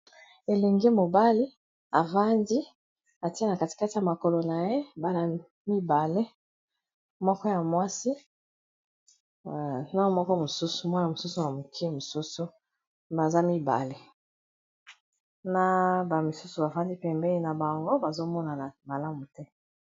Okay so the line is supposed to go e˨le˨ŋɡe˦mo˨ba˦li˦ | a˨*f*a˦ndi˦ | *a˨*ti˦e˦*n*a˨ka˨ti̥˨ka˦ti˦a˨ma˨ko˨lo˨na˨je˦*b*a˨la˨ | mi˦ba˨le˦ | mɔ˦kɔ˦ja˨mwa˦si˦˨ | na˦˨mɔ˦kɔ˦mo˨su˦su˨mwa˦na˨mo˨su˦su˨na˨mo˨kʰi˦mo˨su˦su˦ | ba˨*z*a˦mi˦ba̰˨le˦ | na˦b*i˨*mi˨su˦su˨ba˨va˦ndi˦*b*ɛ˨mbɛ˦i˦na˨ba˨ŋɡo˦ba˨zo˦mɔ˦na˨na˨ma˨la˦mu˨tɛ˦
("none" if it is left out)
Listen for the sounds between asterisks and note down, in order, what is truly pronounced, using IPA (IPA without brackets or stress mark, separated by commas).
v, a˨, n, b, z, a˨, p